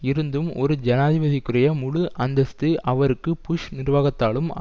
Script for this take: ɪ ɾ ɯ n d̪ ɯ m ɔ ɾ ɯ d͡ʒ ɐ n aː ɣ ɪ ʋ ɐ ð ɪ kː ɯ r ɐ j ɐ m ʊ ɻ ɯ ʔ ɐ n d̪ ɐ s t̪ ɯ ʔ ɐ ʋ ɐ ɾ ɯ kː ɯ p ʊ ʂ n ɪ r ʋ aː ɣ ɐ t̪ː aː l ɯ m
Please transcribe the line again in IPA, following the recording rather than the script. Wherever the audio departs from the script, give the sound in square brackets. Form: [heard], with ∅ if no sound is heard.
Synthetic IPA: ɪ ɾ ɯ n d̪ ɯ m ɔ ɾ ɯ d͡ʒ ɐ n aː [ð] ɪ ʋ ɐ ð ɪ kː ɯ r ɐ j ɐ m ʊ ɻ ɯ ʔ ɐ n d̪ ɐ s t̪ ɯ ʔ ɐ ʋ ɐ ɾ ɯ kː ɯ p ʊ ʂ n ɪ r ʋ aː ɣ ɐ t̪ː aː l ɯ m